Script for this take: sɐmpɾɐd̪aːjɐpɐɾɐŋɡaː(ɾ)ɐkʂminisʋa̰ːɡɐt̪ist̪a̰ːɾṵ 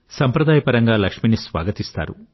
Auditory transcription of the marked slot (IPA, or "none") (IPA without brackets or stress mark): l